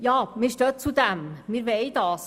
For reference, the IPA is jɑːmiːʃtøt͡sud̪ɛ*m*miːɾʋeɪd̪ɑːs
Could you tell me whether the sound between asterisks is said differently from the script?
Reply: no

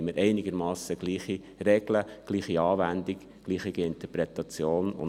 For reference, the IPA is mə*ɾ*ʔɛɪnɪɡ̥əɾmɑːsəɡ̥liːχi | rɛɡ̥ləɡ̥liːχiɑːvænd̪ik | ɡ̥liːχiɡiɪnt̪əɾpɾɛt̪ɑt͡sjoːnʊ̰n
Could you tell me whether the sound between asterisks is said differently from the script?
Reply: no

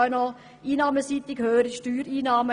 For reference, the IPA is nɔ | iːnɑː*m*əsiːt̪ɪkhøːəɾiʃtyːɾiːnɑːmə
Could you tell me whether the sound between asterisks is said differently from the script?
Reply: no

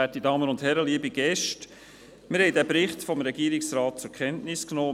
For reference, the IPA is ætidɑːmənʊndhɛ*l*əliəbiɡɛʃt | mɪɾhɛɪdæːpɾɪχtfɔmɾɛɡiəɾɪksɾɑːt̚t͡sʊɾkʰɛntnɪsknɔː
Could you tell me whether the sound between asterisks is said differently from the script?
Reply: yes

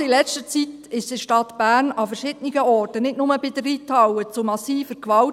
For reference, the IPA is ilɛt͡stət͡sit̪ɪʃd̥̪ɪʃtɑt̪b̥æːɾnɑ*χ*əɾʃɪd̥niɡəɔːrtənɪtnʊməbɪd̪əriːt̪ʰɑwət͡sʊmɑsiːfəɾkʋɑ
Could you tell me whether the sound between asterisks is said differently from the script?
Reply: yes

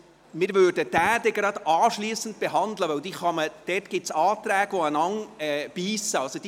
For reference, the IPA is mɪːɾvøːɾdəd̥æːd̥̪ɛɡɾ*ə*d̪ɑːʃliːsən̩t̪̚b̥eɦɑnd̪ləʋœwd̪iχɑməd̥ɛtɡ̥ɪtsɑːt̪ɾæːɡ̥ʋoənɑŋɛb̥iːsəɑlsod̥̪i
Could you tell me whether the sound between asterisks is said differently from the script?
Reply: yes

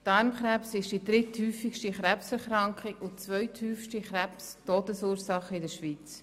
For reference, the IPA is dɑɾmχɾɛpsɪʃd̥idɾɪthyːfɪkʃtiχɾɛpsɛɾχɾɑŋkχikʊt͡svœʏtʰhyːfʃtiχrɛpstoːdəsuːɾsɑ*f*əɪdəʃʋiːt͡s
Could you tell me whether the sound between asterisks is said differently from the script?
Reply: yes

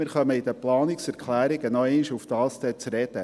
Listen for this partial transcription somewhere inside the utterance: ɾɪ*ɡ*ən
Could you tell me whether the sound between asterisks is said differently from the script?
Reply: no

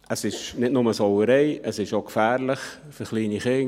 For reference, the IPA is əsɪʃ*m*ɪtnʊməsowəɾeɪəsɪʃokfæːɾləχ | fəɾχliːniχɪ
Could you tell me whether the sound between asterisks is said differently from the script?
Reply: yes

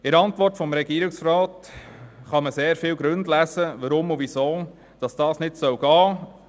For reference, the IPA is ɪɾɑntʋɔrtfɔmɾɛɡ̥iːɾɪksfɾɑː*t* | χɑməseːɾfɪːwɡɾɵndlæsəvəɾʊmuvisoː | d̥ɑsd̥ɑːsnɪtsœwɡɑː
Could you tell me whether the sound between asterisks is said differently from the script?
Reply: no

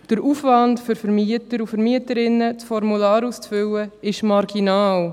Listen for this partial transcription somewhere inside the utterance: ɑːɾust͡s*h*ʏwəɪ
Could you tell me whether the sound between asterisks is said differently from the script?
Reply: yes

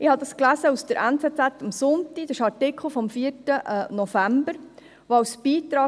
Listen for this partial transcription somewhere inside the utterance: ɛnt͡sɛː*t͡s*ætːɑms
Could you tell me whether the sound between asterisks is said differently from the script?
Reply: no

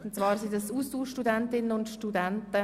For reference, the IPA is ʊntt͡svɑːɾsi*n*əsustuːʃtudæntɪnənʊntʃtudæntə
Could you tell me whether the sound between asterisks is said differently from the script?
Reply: yes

